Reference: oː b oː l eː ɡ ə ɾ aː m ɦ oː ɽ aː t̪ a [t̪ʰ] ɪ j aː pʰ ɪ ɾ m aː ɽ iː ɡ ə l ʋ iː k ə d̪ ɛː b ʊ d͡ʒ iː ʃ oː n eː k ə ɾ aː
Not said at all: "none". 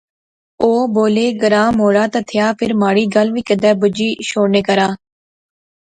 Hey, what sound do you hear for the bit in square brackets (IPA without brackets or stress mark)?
t̪ʰ